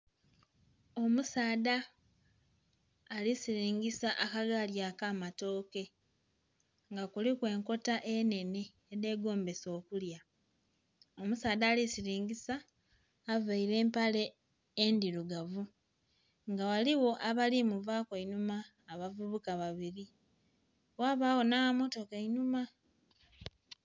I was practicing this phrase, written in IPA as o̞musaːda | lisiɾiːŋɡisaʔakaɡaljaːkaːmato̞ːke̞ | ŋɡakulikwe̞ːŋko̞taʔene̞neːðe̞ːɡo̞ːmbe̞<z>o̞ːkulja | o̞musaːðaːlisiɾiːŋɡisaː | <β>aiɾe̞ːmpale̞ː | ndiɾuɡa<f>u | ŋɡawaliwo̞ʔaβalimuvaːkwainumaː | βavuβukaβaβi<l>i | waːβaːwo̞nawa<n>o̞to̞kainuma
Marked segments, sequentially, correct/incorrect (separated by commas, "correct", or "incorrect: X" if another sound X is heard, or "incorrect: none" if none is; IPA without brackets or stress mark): incorrect: s, incorrect: v, incorrect: v, incorrect: ɾ, incorrect: m